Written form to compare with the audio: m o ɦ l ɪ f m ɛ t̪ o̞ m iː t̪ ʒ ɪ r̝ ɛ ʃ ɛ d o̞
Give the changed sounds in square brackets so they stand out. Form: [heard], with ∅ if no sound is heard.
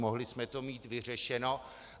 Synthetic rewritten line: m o ɦ l ɪ [s] m ɛ t̪ o̞ m iː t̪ [v] ɪ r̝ ɛ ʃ ɛ [n] o̞